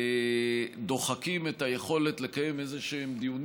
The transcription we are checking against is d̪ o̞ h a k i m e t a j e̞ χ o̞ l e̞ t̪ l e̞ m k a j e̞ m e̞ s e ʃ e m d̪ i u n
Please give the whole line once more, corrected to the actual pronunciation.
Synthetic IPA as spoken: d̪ o̞ χ a k i m e t a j e̞ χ o̞ l e̞ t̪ l e̞ k a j e̞ m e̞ z e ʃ e m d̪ i u n